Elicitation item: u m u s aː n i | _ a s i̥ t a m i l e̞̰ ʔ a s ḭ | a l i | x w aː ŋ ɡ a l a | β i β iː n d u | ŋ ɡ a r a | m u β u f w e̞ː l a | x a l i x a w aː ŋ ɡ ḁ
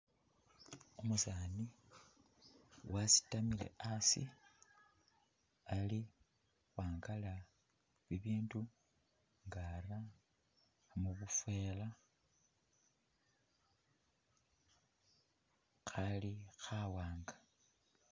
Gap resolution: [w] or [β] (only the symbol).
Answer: w